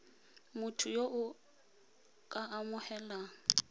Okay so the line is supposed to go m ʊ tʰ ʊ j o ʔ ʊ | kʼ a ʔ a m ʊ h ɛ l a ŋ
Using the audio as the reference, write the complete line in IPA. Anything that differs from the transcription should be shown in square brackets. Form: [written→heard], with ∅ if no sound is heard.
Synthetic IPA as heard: m ʊ tʰ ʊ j o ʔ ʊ | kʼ a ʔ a m ʊ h ɛ l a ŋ